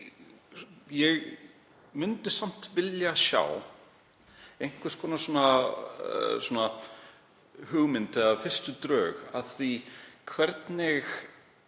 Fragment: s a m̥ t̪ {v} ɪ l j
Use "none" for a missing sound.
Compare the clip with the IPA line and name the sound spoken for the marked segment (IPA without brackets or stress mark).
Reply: v